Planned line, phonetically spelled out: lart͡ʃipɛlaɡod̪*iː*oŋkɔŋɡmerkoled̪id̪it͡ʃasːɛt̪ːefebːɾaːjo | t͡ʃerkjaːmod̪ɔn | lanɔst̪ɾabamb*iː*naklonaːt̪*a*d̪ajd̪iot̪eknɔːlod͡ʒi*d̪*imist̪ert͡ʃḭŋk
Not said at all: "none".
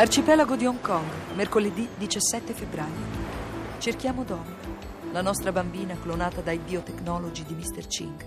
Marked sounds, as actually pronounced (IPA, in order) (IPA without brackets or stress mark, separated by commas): i, iː, a, d̪